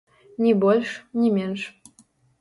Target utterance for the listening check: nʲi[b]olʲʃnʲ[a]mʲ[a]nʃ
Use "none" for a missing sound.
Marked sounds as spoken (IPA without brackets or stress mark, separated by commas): b, i, e